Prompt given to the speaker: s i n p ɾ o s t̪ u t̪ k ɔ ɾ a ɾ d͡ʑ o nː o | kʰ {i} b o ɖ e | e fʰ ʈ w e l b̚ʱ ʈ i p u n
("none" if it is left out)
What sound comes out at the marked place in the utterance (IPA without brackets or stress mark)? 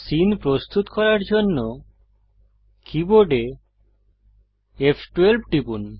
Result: i